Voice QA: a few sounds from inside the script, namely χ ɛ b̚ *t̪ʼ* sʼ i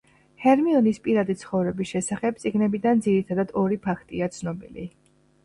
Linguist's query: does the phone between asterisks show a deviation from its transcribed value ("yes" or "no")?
yes